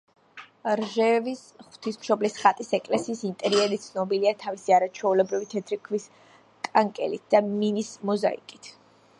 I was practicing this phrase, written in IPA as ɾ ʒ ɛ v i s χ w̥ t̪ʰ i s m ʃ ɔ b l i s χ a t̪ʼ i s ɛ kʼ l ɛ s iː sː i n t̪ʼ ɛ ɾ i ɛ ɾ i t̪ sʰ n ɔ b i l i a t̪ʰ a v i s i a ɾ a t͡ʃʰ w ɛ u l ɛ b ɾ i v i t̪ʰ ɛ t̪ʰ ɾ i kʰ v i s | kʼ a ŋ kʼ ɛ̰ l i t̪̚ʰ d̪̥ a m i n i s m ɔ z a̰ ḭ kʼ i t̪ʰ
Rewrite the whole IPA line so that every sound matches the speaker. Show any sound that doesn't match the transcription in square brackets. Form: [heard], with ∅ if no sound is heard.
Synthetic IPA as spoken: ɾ ʒ ɛ v i s χ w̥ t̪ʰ i s m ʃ ɔ b l i s χ a t̪ʼ i s ɛ kʼ l ɛ s iː [s] i n t̪ʼ ɛ ɾ i ɛ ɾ i t̪ sʰ n ɔ b i l i a t̪ʰ a v i s i a ɾ a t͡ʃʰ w ɛ u l ɛ b ɾ i v i t̪ʰ ɛ t̪ʰ ɾ i kʰ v i s | kʼ a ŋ kʼ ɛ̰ l i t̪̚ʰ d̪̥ a m i n i s m ɔ z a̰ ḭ kʼ i t̪ʰ

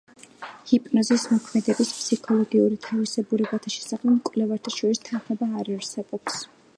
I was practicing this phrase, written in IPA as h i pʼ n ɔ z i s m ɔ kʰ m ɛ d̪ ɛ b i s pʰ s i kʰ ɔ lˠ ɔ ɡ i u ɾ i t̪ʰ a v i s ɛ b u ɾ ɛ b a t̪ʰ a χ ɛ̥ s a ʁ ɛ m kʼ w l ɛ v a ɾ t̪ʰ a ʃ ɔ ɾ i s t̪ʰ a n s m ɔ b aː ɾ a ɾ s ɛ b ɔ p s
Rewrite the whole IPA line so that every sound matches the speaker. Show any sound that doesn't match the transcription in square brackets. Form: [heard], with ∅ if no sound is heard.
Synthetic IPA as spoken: h i pʼ n ɔ z i s m ɔ kʰ m ɛ d̪ ɛ b i s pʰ s i kʰ ɔ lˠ ɔ ɡ i u ɾ i t̪ʰ a v i s ɛ b u ɾ ɛ b a t̪ʰ a [ʃ] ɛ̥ s a [χ] ɛ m kʼ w l ɛ v a ɾ t̪ʰ a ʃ ɔ ɾ i s t̪ʰ a n [χ] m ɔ b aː ɾ a ɾ s ɛ b ɔ p s

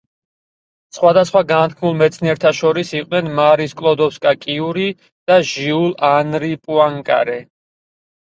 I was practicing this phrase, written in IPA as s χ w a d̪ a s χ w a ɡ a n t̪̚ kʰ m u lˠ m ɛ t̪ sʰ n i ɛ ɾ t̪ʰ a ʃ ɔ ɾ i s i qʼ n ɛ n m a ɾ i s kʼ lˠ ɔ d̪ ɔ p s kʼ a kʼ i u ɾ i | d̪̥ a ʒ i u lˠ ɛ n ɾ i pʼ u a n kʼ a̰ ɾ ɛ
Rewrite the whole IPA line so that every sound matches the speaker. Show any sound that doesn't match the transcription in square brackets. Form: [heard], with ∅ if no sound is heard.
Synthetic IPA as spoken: s χ w a d̪ a s χ w a ɡ a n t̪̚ kʰ m u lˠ m ɛ t̪ sʰ n i ɛ ɾ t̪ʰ a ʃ ɔ ɾ i s i qʼ n ɛ n m a ɾ i s kʼ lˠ ɔ d̪ ɔ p s kʼ a kʼ i u ɾ i | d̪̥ a ʒ i u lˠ [a] n ɾ i pʼ u a [ŋ] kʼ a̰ ɾ ɛ

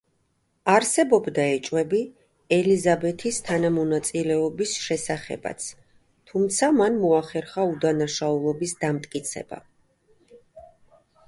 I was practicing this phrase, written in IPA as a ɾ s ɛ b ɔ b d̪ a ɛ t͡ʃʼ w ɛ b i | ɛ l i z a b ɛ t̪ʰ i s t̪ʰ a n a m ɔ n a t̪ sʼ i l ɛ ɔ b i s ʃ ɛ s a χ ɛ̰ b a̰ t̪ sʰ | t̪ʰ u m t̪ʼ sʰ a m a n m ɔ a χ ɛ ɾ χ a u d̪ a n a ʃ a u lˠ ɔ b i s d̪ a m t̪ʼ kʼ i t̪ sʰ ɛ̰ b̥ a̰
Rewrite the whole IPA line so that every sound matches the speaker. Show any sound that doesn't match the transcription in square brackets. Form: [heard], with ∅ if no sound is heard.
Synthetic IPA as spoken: a ɾ s ɛ b ɔ b d̪ a ɛ t͡ʃʼ w ɛ b i | ɛ l i z a b ɛ t̪ʰ i s t̪ʰ a n a m ɔ n a t̪ sʼ i l ɛ ɔ b i s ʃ ɛ s a χ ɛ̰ b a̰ t̪ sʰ | t̪ʰ u m [t̪] sʰ a m a n m ɔ a χ ɛ ɾ χ a u d̪ a n a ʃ a u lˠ ɔ b i s d̪ a m t̪ʼ kʼ i t̪ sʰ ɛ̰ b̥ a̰

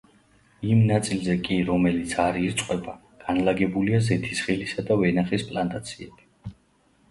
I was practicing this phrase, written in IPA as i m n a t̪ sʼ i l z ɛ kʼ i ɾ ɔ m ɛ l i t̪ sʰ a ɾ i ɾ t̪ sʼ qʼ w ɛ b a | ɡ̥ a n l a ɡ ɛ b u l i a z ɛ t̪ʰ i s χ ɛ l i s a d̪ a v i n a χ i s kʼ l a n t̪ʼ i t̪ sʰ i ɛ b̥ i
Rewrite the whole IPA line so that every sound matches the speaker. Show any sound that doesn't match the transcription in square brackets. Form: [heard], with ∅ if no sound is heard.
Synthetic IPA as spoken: i m n a t̪ sʼ i l z ɛ kʼ i ɾ ɔ m ɛ l i t̪ sʰ a ɾ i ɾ t̪ sʼ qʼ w ɛ b a | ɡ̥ a n l a ɡ ɛ b u l i a z ɛ t̪ʰ i s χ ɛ l i s a d̪ a v [ɛ] n a χ i s [pʼ] l a n t̪ʼ [a] t̪ sʰ i ɛ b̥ i

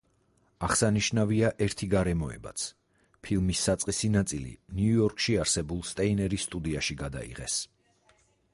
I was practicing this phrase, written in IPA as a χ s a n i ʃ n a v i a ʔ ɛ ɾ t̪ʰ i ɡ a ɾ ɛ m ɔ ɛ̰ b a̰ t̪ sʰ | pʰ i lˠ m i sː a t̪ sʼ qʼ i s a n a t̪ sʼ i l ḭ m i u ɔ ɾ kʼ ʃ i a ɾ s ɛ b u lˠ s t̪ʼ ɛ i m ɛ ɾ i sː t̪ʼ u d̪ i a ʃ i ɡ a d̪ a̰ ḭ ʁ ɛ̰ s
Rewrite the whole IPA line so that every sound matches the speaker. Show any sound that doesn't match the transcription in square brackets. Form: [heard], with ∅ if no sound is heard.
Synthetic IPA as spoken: a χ s a n i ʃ n a v i a ʔ ɛ ɾ t̪ʰ i ɡ a ɾ ɛ m ɔ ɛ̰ b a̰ t̪ sʰ | pʰ i lˠ m i sː a t̪ sʼ qʼ i s [i] n a t̪ sʼ i l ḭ [n] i u ɔ ɾ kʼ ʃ i a ɾ s ɛ b u lˠ s t̪ʼ ɛ i [n] ɛ ɾ i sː t̪ʼ u d̪ i a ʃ i ɡ a d̪ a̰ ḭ ʁ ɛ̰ s

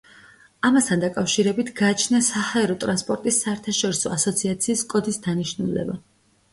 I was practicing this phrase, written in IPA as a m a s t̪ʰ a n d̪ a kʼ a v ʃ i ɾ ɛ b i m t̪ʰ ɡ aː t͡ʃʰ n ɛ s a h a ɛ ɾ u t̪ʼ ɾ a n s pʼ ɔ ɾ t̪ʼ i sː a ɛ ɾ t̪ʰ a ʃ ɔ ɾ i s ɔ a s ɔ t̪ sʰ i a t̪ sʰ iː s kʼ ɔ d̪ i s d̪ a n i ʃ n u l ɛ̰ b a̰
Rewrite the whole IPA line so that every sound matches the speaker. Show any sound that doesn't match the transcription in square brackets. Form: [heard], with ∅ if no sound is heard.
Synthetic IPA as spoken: a m a s t̪ʰ a n d̪ a kʼ a [f] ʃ i ɾ ɛ b i [∅] t̪ʰ ɡ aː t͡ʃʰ n [a] s a h a ɛ ɾ [ɔ] t̪ʼ ɾ a n s pʼ ɔ ɾ t̪ʼ i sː a ɛ ɾ t̪ʰ a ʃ ɔ ɾ i s ɔ a s ɔ t̪ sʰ i a t̪ sʰ iː s kʼ ɔ d̪ i s d̪ a n i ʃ n u l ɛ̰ b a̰

